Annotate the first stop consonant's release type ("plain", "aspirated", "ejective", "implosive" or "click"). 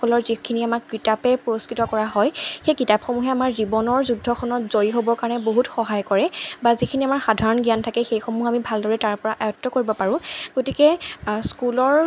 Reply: aspirated